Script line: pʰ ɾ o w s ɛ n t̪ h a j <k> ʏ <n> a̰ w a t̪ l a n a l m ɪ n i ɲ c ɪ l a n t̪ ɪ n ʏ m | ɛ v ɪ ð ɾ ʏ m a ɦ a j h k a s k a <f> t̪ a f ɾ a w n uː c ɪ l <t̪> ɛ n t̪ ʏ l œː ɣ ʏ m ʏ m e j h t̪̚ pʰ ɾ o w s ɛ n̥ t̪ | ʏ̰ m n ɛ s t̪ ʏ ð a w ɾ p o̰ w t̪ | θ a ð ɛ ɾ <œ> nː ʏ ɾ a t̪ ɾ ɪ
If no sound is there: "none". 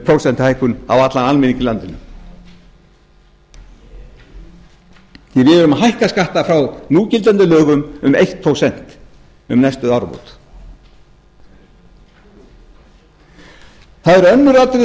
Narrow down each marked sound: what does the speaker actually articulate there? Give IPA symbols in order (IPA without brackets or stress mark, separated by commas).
k, n, h, t̪, œ